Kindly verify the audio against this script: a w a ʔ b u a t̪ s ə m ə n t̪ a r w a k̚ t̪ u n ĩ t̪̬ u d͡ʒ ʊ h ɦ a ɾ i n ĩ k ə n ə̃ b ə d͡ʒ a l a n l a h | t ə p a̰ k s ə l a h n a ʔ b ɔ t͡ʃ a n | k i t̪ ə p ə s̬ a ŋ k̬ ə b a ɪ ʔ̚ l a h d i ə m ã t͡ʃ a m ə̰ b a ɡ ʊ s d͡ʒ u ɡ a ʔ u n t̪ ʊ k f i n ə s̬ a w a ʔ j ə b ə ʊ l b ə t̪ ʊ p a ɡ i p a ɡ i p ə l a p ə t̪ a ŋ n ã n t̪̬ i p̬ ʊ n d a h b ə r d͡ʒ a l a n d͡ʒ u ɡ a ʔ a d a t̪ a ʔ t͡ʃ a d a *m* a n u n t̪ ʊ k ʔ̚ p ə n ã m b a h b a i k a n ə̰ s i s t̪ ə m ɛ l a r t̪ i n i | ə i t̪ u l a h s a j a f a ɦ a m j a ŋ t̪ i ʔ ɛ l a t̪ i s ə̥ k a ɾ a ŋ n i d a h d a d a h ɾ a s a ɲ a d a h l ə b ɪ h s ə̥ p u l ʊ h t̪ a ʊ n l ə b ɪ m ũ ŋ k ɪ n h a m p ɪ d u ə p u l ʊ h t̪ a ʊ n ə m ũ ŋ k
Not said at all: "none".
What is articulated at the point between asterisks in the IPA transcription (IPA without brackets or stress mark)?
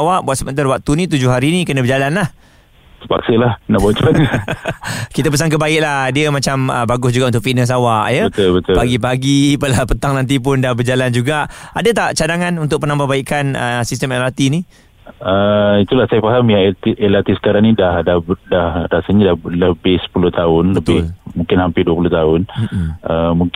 ŋ